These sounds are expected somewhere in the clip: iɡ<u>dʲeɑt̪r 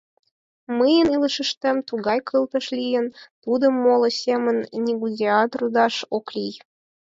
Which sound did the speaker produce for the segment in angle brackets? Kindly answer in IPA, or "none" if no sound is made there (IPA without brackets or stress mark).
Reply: u